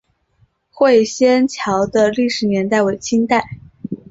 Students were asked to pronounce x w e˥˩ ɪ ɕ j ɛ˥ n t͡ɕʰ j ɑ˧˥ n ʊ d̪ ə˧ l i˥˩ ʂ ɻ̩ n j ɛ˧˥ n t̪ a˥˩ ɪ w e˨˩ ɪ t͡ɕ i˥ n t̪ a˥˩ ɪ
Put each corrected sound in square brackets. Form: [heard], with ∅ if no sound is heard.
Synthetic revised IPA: x w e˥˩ ɪ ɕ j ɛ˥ n t͡ɕʰ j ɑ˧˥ [∅] ʊ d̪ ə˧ l i˥˩ ʂ ɻ̩ n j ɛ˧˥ n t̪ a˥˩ ɪ w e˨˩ ɪ [t͡ɕʰ] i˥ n t̪ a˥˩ ɪ